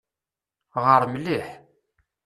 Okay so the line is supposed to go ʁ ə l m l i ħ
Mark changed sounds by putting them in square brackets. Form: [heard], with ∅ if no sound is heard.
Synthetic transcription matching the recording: ʁ ə [ɾ] m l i ħ